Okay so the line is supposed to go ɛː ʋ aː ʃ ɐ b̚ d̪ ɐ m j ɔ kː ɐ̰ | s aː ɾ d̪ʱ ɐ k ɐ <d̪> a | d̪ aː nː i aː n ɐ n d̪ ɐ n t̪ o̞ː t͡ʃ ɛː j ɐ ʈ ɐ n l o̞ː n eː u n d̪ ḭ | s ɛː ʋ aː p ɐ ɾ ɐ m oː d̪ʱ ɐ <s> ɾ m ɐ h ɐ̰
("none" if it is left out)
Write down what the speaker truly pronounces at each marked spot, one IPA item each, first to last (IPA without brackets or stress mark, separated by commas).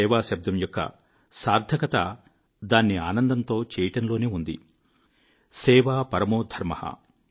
t̪, none